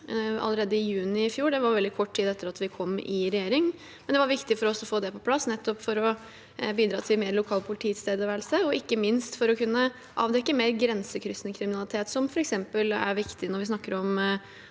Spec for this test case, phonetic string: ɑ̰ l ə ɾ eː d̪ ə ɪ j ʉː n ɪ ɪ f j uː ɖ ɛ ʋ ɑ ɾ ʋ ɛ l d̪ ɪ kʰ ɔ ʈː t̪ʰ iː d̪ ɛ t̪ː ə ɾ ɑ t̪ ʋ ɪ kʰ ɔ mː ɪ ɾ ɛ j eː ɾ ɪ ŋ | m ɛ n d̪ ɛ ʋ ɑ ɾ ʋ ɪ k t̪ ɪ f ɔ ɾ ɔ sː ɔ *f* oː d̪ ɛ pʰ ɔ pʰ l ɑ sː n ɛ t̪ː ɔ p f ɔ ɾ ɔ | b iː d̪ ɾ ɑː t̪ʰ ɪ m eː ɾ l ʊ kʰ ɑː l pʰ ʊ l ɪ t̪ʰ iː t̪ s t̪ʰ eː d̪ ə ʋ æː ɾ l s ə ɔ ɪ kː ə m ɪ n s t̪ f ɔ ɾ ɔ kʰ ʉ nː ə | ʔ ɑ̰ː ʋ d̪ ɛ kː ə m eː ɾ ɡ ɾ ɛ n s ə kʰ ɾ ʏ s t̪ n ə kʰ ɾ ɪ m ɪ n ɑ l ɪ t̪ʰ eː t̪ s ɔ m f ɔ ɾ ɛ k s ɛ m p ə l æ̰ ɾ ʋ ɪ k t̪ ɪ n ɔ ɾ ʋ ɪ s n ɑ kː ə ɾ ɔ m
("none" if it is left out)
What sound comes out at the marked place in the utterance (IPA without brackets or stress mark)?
f